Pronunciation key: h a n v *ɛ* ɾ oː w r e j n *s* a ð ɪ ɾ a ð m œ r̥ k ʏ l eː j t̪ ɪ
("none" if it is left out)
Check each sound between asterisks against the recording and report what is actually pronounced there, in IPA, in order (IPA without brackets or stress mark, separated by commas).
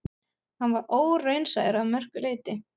a, s